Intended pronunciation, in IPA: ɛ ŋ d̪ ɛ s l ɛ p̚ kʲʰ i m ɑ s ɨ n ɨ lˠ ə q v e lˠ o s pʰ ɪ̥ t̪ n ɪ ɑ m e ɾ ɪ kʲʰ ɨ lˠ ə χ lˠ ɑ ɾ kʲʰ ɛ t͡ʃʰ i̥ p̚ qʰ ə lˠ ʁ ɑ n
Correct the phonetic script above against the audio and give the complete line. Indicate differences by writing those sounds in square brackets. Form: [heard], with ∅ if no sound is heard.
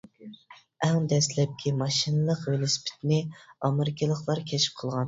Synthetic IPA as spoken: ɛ ŋ d̪ ɛ s l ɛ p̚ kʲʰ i m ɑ [ʃ] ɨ n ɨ lˠ ə q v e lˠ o s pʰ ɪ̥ t̪ n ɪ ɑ m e ɾ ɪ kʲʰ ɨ lˠ ə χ lˠ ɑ ɾ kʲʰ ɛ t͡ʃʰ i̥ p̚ qʰ ə lˠ ʁ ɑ n